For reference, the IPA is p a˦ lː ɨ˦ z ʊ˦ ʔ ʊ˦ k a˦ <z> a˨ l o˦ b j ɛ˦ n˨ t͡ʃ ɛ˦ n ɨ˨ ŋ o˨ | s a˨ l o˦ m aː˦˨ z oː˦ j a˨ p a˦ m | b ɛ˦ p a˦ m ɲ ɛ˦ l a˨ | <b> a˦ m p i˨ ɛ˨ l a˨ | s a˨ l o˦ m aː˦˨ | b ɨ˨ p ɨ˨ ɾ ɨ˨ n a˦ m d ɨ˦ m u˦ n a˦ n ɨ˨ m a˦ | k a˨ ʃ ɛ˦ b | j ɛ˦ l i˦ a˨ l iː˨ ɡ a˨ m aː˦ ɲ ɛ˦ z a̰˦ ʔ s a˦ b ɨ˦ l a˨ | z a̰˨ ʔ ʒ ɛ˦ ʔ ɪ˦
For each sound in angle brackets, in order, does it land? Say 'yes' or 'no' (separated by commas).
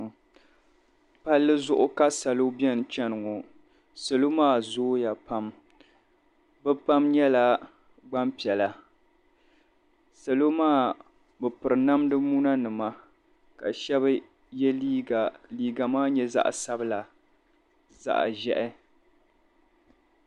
no, no